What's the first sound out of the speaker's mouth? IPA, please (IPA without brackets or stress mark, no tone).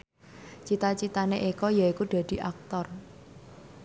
t͡ʃ